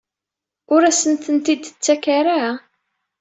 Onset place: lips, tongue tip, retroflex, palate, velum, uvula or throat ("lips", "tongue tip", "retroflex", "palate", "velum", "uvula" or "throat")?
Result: tongue tip